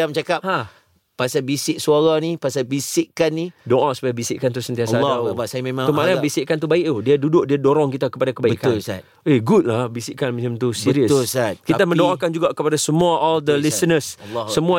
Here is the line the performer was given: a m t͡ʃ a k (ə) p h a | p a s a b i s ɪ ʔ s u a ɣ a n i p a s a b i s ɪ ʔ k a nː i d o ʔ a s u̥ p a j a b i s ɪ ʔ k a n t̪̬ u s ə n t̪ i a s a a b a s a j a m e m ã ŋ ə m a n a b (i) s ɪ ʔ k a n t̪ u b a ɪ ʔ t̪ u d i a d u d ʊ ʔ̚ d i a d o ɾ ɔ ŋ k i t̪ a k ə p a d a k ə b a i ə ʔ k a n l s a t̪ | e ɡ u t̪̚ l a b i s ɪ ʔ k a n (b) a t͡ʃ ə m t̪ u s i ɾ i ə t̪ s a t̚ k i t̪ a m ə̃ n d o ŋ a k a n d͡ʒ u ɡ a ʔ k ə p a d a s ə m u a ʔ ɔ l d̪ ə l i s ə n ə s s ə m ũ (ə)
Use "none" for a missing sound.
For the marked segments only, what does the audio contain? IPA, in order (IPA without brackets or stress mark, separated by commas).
a, i, m, a